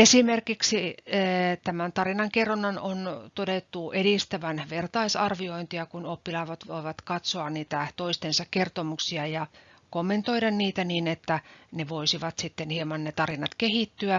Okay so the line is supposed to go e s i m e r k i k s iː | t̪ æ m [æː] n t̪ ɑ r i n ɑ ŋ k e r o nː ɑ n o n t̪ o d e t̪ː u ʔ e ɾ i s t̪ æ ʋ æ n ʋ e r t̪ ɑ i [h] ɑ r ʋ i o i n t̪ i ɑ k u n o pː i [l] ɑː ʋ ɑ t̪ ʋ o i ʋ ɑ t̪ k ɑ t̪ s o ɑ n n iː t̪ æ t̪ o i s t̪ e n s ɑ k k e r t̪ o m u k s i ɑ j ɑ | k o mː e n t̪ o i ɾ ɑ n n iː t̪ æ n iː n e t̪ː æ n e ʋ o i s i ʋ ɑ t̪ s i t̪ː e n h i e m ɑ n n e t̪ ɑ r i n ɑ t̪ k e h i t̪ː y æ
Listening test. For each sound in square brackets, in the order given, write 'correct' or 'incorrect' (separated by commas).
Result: incorrect, incorrect, correct